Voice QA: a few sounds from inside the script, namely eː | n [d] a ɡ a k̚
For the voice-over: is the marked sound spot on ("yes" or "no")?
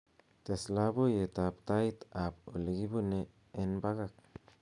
no